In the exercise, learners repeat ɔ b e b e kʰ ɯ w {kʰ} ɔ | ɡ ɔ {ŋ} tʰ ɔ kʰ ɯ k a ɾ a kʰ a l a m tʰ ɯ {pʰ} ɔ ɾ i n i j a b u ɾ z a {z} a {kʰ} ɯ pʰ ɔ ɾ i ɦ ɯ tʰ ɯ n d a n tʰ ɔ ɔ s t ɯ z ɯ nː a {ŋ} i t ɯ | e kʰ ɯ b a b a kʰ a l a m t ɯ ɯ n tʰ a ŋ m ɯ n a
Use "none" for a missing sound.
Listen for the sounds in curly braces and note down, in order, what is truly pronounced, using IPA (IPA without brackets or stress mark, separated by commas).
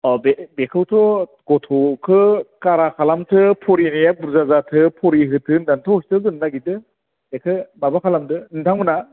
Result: tʰ, none, pʰ, z, tʰ, ɡ